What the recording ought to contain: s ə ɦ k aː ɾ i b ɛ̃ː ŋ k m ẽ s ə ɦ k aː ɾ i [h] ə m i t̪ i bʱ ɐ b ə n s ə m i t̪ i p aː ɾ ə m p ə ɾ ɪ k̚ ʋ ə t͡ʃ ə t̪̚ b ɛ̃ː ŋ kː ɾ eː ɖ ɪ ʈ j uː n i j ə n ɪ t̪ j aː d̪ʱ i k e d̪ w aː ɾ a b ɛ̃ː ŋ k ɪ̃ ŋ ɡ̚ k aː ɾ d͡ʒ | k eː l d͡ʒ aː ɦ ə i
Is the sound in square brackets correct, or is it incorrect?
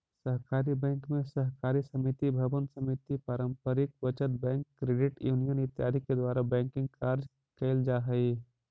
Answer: incorrect: s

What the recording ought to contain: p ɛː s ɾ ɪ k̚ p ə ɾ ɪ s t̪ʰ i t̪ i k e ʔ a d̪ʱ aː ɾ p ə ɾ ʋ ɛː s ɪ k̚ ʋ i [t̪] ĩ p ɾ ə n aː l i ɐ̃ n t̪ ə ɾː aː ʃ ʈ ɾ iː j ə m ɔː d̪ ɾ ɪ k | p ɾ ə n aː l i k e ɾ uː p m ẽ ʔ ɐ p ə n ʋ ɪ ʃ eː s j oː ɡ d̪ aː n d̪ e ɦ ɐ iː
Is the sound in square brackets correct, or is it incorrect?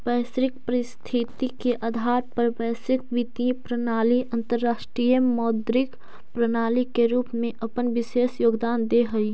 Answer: correct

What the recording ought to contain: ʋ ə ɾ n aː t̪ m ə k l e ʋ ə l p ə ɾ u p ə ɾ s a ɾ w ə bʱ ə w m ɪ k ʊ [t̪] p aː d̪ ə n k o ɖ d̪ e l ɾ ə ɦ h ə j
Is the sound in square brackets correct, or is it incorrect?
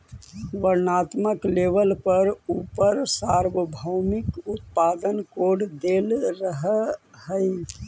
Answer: correct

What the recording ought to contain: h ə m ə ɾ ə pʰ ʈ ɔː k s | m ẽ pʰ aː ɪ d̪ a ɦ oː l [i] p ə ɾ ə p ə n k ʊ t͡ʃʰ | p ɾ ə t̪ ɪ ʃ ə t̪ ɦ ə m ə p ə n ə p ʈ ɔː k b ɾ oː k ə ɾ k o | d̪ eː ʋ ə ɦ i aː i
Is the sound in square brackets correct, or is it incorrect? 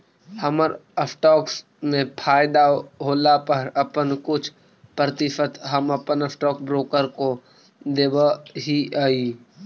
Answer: incorrect: a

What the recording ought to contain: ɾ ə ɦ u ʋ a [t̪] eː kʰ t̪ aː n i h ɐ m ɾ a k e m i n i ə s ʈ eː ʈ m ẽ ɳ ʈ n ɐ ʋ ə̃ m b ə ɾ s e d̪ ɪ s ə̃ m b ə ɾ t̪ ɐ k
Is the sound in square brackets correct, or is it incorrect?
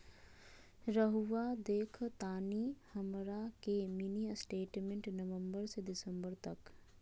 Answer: incorrect: d̪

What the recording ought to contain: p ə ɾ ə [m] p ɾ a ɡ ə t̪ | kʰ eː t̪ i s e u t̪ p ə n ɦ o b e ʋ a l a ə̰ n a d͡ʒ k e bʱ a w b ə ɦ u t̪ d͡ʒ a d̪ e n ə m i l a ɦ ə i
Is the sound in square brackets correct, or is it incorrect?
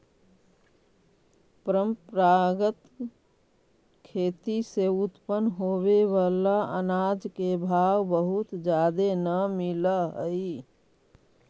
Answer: correct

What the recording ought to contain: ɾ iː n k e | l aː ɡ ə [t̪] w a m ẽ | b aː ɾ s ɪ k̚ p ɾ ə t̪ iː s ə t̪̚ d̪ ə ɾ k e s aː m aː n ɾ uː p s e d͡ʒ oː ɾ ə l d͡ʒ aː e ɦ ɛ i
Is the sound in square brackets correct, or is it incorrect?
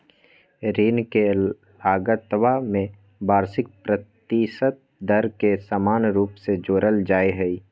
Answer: correct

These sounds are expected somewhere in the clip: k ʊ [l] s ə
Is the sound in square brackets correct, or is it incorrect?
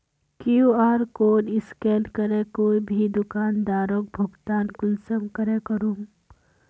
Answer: correct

